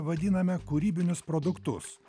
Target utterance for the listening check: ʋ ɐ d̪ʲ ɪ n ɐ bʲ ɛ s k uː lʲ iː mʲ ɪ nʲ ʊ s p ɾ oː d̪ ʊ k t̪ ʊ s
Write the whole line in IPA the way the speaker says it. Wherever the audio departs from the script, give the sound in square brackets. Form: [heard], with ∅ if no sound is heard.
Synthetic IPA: ʋ ɐ d̪ʲ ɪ n ɐ [mʲ] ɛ [∅] k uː [ɾʲ] iː [bʲ] ɪ nʲ ʊ s p ɾ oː d̪ ʊ k t̪ ʊ s

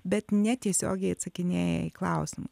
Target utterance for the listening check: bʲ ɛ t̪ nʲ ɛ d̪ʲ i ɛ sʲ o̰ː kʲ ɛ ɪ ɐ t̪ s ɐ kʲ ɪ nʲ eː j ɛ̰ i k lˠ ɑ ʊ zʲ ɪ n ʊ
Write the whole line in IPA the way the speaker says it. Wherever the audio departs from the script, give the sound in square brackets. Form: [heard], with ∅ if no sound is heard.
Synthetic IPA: bʲ ɛ t̪ nʲ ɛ [t̪ʲ] i ɛ sʲ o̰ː [ɡʲ] ɛ ɪ ɐ t̪ s ɐ kʲ ɪ nʲ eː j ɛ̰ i k lˠ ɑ ʊ [sʲ] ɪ [m] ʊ

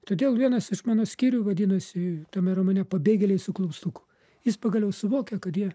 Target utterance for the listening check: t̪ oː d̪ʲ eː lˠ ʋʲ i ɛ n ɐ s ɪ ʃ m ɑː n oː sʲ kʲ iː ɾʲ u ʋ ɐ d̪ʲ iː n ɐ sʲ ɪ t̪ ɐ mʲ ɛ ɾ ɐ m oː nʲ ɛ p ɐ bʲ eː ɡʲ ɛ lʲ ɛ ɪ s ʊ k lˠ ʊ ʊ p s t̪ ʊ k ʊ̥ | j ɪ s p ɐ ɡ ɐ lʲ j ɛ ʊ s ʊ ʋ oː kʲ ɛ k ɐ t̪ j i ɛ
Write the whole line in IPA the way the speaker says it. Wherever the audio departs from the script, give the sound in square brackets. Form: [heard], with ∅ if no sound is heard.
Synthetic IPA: t̪ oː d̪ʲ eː lˠ ʋʲ i ɛ n ɐ s ɪ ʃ m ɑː n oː sʲ kʲ iː ɾʲ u ʋ ɐ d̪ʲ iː n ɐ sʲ ɪ t̪ ɐ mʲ ɛ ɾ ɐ m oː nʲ ɛ p ɐ bʲ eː ɡʲ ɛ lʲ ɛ ɪ s ʊ k lˠ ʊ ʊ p s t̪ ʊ k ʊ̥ | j ɪ s p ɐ ɡ ɐ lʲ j ɛ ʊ s ʊ ʋ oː kʲ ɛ k ɐ t̪ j i ɛ

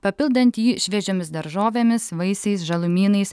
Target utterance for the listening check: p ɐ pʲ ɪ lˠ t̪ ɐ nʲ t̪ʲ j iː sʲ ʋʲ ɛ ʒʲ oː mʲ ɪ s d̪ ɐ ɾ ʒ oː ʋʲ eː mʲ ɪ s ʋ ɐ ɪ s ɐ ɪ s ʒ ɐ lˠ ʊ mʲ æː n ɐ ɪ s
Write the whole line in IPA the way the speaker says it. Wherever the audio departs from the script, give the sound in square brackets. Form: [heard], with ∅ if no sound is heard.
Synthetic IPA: p ɐ pʲ ɪ lˠ [d̪] ɐ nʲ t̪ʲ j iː [ʃʲ] ʋʲ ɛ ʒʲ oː mʲ ɪ s d̪ ɐ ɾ ʒ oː ʋʲ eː mʲ ɪ s ʋ ɐ ɪ s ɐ ɪ s ʒ ɐ lˠ ʊ mʲ [iː] n ɐ ɪ s

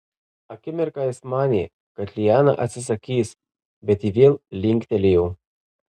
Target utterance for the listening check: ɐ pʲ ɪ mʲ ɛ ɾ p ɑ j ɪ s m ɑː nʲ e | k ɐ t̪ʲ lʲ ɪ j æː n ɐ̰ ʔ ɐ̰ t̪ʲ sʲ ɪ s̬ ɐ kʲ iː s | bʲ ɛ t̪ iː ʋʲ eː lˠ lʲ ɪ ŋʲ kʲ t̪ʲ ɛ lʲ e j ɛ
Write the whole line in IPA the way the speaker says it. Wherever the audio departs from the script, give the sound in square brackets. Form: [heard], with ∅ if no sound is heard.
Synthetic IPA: ɐ [kʲ] ɪ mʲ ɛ ɾ [k] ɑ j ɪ s m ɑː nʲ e | k ɐ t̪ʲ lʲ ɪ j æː n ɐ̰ ʔ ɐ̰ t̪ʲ sʲ ɪ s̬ ɐ kʲ iː s | bʲ ɛ t̪ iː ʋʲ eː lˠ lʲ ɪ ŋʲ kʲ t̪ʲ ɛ lʲ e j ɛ

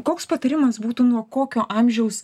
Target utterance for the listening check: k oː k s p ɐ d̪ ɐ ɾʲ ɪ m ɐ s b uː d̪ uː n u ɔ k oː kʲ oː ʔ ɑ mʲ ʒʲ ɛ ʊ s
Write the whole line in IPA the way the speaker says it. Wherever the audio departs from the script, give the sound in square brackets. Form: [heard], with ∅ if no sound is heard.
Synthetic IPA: k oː k s p ɐ [t̪] ɐ ɾʲ ɪ m ɐ s b uː [t̪] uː n u ɔ k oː kʲ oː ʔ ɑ mʲ ʒʲ ɛ ʊ s

